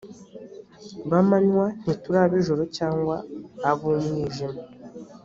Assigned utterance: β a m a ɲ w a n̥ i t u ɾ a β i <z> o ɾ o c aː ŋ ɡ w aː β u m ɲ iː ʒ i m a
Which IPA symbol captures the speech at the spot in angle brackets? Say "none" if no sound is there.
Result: ʒ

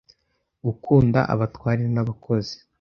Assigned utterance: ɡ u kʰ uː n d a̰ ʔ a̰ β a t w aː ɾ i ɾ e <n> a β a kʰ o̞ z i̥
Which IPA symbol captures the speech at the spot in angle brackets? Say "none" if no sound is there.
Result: n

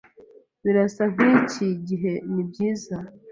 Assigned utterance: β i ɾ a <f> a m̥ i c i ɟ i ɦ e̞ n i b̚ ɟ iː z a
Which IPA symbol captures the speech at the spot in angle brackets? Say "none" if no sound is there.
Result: s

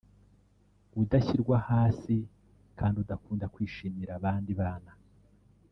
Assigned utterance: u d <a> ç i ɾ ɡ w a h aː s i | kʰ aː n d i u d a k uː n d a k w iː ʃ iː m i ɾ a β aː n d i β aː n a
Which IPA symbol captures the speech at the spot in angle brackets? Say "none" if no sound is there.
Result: a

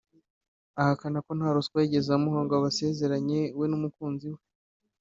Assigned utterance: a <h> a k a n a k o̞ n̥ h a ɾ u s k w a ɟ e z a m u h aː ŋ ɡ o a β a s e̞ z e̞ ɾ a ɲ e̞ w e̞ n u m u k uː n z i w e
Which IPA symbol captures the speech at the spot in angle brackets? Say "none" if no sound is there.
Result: h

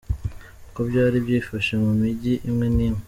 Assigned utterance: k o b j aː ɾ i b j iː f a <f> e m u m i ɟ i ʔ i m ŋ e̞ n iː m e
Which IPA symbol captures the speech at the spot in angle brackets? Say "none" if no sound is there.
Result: ʃ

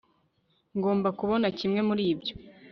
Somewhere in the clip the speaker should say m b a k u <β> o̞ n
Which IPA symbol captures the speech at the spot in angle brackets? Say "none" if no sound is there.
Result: β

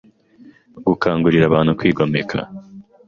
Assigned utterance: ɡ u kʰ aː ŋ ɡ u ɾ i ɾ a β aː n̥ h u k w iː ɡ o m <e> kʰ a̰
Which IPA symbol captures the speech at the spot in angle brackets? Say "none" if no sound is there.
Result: e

